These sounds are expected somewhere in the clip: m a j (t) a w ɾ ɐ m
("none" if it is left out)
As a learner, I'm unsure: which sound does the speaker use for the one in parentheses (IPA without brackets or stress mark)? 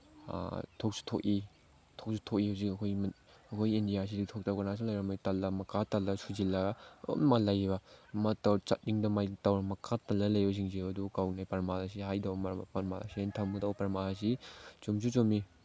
t